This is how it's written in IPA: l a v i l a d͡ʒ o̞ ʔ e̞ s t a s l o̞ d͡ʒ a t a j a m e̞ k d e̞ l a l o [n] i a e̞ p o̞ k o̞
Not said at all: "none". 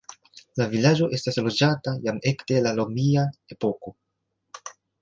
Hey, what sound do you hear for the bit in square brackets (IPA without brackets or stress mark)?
m